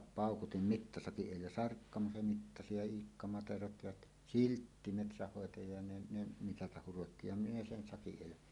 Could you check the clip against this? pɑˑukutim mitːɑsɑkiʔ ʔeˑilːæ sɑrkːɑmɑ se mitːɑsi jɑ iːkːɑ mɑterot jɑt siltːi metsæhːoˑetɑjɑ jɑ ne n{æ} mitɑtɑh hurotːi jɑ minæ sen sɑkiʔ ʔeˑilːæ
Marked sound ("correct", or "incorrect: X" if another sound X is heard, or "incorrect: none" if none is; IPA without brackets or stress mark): incorrect: e